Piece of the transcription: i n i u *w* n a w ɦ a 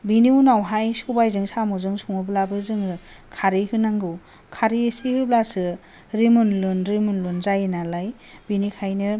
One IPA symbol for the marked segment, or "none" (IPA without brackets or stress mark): none